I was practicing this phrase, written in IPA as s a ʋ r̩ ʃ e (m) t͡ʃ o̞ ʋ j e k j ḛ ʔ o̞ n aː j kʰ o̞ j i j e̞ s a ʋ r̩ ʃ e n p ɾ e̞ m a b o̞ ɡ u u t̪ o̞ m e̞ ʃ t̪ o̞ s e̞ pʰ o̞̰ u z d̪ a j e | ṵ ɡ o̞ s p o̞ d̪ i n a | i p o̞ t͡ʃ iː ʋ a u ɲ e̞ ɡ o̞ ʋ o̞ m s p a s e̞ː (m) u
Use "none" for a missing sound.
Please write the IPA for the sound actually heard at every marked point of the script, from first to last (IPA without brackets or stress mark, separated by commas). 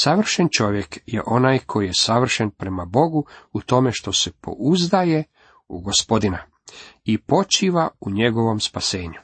n, ɲ